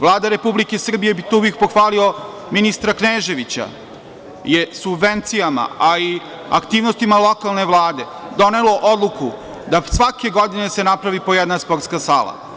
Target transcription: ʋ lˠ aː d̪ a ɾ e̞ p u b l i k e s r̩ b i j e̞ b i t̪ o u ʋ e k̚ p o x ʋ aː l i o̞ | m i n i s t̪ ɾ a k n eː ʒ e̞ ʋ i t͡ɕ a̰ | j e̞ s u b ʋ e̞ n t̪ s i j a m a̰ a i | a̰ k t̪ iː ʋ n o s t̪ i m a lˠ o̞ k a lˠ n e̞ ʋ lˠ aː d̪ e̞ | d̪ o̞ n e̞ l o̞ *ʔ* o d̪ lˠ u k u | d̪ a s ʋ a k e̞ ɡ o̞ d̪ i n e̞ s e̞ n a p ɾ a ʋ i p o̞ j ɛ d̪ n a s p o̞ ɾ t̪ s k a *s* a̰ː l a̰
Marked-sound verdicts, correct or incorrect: correct, correct

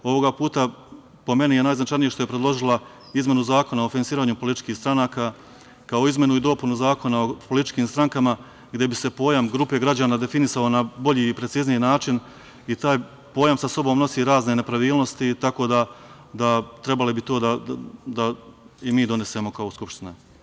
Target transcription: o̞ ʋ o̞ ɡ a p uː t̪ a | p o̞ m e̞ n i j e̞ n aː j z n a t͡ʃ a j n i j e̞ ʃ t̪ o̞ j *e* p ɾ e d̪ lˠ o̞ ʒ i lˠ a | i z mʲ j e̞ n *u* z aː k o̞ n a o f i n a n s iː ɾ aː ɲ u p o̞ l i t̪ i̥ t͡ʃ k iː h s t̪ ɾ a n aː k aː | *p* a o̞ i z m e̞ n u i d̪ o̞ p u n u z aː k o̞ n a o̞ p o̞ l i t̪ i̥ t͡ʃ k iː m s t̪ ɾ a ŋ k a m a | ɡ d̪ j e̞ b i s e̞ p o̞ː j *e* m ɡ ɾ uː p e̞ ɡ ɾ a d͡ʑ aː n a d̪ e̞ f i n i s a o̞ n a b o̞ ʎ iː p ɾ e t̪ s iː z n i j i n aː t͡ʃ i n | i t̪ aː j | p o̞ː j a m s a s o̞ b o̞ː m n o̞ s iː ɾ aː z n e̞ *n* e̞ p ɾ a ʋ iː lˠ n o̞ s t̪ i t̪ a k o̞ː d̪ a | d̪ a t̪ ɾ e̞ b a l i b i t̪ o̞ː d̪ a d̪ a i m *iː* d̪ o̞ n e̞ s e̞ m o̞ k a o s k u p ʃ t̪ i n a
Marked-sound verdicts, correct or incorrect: correct, correct, incorrect: k, incorrect: a, correct, correct

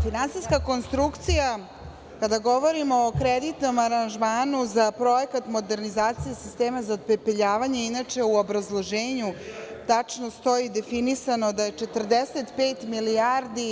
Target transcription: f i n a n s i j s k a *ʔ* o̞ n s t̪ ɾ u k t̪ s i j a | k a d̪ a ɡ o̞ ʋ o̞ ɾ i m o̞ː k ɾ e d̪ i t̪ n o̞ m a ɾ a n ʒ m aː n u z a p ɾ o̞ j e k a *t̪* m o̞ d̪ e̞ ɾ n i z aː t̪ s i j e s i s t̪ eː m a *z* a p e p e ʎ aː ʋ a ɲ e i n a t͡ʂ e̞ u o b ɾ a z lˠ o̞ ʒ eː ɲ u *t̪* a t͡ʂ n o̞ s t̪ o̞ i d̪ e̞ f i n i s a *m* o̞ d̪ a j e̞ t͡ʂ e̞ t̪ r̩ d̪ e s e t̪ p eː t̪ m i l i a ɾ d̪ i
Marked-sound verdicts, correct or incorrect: incorrect: k, correct, correct, correct, incorrect: n

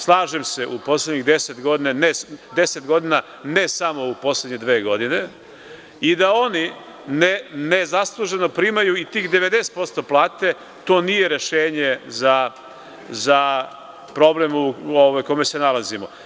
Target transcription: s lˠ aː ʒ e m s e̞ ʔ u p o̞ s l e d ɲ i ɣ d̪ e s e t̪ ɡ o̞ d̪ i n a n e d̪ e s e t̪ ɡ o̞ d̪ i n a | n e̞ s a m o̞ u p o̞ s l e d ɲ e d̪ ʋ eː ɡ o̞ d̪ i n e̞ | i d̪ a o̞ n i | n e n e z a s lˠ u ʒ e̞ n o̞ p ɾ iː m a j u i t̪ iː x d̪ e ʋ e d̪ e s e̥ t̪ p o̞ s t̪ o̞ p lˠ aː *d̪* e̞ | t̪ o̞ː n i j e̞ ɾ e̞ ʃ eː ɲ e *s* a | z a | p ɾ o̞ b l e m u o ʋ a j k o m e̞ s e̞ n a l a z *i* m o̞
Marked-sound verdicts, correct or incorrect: incorrect: t̪, incorrect: z, correct

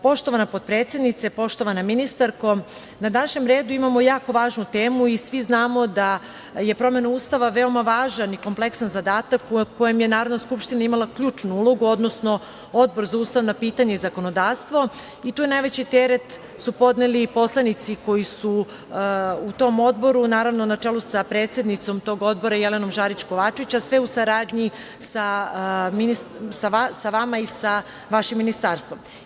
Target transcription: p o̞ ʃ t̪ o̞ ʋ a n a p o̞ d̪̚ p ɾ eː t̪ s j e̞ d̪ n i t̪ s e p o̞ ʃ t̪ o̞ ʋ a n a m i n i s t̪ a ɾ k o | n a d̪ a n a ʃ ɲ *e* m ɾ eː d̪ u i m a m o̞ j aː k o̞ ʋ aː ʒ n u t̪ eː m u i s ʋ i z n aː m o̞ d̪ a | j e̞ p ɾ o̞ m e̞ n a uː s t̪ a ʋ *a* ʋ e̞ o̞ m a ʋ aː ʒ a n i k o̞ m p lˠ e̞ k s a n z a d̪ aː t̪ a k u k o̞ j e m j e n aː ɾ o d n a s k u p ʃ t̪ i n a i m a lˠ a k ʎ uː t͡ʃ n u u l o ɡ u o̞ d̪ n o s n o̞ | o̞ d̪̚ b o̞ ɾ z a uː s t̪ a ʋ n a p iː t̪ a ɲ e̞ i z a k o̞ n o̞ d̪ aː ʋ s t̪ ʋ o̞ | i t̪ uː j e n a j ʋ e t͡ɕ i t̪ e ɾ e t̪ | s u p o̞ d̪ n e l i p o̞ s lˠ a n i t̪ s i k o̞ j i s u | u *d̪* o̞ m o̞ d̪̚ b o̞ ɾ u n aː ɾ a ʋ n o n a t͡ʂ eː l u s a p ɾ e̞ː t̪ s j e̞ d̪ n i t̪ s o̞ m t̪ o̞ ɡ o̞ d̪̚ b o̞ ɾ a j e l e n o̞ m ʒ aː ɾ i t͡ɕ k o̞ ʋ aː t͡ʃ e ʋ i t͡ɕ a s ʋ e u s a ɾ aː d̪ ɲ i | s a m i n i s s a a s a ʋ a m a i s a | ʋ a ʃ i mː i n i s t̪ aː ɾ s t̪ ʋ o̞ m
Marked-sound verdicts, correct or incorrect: correct, correct, incorrect: t̪

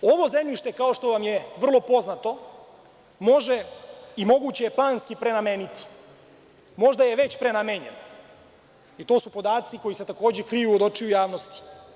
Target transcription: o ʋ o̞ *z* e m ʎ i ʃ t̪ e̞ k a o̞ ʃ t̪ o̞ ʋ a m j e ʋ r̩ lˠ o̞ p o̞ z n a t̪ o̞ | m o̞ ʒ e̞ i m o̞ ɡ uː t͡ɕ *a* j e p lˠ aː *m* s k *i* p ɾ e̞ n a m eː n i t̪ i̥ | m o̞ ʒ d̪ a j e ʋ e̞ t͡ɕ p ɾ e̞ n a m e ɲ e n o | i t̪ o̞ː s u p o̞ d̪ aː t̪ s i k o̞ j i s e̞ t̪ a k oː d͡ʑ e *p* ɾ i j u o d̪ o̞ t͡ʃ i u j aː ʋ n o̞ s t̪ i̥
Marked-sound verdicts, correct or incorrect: correct, incorrect: e, incorrect: n, correct, incorrect: k

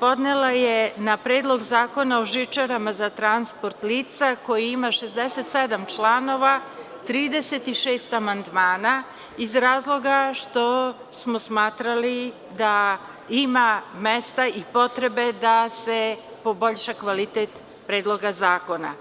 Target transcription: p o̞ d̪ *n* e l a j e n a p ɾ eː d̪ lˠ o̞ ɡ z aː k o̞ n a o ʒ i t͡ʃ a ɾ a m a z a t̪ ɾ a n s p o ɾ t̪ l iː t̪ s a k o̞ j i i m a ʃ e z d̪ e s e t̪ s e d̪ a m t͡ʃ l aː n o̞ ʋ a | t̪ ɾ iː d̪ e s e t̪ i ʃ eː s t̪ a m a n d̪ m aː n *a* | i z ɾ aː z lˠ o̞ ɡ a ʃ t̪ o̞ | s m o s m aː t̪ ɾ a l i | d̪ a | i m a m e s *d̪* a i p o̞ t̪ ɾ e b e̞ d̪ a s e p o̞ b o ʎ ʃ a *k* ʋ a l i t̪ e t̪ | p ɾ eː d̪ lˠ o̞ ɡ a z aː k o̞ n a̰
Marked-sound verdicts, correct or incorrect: correct, correct, incorrect: t̪, correct

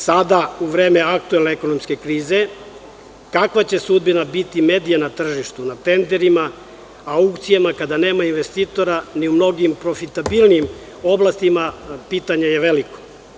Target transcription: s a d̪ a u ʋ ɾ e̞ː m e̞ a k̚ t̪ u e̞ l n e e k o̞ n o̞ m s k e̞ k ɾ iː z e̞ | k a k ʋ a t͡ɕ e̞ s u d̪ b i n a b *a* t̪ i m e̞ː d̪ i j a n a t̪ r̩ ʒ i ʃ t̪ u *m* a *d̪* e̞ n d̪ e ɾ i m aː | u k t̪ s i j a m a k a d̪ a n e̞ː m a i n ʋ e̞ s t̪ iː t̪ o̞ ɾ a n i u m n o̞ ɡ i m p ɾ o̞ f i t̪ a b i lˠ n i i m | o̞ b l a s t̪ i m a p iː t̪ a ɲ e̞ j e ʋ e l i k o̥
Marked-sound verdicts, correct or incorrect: incorrect: i, incorrect: n, incorrect: t̪

